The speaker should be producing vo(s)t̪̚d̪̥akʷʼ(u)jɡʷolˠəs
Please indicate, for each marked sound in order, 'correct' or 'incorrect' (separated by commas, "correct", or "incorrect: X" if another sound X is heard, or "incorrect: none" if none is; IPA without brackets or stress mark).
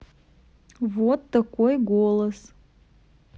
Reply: incorrect: none, incorrect: o